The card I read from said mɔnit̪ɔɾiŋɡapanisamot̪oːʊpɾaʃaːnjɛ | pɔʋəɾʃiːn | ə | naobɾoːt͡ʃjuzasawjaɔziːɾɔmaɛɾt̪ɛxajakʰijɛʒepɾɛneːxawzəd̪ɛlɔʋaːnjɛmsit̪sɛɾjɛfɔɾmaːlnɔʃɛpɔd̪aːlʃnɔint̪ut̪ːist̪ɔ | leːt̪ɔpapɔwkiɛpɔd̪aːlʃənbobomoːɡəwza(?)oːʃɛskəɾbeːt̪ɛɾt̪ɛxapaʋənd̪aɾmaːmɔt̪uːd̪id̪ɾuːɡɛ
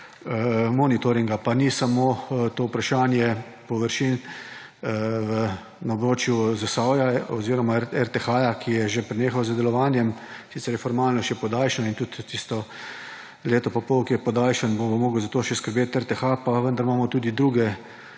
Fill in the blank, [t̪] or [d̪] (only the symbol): t̪